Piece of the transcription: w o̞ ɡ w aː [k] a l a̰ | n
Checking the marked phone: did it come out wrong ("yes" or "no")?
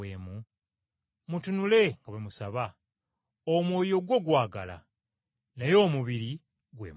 yes